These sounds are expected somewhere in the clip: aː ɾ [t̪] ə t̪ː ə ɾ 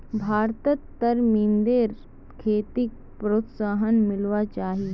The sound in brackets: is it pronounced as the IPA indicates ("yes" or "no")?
yes